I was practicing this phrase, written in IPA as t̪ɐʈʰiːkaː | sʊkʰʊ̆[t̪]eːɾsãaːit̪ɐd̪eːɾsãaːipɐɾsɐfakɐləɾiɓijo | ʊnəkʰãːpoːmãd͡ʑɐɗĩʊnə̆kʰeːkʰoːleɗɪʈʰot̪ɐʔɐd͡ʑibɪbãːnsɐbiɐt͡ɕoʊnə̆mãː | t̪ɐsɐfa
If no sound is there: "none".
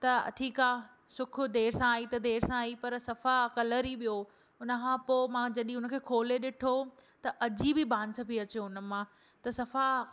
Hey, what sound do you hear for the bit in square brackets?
d̪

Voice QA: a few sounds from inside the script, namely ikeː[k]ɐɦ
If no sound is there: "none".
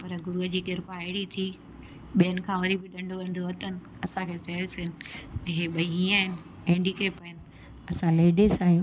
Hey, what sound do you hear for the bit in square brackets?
p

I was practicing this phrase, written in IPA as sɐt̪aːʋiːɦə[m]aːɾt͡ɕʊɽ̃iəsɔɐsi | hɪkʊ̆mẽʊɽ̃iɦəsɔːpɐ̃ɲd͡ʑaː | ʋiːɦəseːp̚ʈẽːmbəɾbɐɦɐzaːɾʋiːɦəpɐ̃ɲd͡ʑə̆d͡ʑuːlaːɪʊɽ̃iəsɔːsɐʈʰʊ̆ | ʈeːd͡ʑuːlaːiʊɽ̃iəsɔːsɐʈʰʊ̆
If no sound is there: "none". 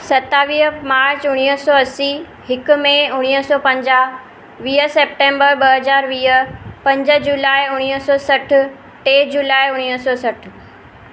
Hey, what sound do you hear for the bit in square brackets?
m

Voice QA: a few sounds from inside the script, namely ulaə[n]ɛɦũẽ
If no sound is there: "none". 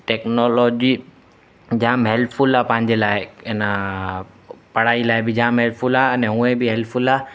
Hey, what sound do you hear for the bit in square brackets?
n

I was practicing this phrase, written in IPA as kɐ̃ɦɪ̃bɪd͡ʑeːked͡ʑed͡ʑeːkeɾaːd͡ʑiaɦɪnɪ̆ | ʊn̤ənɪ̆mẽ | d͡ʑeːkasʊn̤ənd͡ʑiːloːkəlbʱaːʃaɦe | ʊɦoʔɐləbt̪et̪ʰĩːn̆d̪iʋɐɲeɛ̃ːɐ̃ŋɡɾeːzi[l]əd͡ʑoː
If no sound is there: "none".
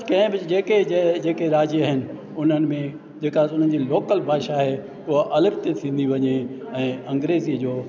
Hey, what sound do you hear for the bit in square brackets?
none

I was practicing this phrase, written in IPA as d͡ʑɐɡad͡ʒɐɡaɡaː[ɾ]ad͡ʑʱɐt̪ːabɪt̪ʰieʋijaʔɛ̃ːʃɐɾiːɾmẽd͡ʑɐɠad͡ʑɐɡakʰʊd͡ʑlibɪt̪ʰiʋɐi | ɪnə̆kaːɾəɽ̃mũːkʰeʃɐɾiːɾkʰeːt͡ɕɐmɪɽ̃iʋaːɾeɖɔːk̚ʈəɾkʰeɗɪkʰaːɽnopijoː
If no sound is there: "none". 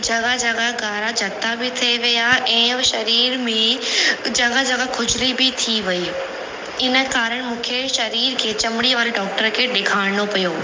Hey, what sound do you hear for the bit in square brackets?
ɾ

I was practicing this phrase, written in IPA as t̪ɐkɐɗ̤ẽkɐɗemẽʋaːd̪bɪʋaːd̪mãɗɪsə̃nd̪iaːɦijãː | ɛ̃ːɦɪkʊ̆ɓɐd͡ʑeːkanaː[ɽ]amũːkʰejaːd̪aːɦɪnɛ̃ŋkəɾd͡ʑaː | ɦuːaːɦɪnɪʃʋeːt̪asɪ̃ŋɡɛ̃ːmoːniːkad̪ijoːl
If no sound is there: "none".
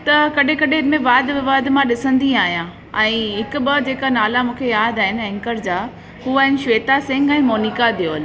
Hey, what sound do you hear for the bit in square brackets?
l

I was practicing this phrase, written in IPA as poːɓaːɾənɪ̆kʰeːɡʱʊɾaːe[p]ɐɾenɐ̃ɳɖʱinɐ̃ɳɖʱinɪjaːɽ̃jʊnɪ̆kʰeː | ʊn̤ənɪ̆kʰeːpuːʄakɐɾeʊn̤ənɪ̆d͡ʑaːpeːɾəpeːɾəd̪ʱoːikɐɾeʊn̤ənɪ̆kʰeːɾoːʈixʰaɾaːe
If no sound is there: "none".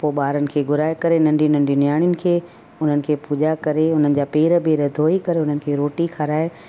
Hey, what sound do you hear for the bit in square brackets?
k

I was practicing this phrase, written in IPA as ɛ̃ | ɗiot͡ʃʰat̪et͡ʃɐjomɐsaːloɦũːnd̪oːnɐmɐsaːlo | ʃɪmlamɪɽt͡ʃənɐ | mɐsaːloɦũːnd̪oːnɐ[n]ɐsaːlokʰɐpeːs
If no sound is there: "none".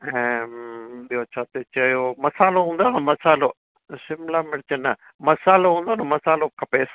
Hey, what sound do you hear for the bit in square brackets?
m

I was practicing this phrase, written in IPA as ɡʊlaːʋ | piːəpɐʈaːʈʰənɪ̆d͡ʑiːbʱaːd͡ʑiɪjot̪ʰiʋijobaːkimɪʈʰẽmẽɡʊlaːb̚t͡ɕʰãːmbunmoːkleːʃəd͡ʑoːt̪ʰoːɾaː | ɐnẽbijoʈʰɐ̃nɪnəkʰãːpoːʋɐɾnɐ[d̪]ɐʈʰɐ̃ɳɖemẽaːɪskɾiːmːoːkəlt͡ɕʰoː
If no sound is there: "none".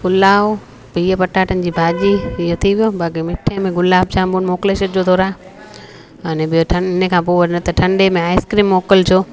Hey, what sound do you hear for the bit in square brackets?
t̪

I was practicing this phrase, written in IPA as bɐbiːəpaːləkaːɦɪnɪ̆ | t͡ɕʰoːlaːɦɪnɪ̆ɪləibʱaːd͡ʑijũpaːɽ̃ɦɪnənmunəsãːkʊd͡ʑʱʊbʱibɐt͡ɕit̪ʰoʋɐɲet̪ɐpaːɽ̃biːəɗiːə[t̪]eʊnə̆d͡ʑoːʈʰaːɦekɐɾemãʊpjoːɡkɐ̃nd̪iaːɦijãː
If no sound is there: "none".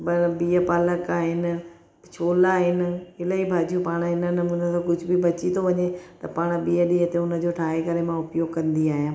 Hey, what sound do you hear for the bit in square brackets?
t̪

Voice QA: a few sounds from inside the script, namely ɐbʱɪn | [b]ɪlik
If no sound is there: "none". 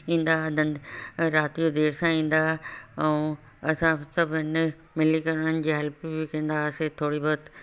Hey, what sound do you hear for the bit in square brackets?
m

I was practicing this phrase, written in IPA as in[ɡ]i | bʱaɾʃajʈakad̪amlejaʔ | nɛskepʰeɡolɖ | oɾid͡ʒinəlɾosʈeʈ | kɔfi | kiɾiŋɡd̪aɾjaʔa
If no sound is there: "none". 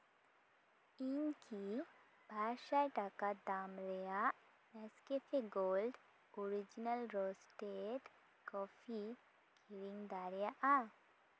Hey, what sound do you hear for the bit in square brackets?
k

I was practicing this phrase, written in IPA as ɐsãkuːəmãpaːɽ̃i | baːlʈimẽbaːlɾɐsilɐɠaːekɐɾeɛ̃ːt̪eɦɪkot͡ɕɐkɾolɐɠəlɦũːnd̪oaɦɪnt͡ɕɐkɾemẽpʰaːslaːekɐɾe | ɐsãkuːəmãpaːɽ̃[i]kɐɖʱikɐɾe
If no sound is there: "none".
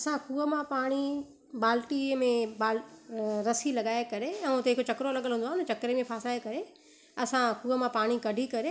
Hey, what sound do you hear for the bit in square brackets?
i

